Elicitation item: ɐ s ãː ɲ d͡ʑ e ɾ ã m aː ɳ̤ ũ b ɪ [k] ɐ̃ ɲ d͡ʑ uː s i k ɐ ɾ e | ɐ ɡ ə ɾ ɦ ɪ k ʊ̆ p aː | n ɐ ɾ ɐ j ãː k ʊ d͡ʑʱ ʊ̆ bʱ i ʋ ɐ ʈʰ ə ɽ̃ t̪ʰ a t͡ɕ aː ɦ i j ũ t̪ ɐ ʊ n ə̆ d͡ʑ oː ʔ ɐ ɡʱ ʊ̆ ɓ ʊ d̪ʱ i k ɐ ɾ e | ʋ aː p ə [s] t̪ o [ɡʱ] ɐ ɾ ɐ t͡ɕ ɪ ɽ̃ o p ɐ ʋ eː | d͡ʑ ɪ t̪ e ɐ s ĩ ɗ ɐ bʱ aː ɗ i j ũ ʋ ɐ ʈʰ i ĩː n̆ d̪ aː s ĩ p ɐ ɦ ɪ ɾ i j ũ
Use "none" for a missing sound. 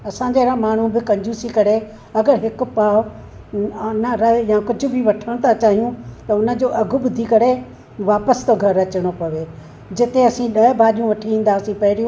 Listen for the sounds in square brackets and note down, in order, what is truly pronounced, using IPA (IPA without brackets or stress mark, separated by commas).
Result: k, s, ɡʱ